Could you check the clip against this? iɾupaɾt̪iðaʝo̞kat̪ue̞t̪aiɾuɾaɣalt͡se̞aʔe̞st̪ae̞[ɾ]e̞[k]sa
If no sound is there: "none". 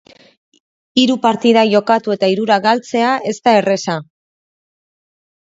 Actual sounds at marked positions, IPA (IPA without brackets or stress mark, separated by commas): r, none